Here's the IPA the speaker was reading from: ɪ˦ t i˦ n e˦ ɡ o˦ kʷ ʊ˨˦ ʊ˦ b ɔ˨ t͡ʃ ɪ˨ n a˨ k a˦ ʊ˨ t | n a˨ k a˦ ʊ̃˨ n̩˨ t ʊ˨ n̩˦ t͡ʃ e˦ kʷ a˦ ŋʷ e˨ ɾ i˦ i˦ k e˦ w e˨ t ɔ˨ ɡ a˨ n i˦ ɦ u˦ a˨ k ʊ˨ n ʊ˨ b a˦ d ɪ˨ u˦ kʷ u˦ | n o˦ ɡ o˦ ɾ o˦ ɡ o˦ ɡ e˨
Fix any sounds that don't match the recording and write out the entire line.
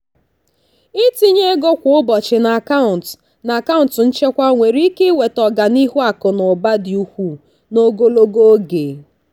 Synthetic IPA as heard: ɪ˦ t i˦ ɲ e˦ ɡ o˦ kʷ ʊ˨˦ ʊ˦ b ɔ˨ t͡ʃ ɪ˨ n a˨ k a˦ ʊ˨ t | n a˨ k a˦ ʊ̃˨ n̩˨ t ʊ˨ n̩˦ t͡ʃ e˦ kʷ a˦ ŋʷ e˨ ɾ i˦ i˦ k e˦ w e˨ t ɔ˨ ɡ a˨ n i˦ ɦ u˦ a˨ k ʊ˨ n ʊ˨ b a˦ d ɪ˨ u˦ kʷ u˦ | n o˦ ɡ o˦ l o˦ ɡ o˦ ɡ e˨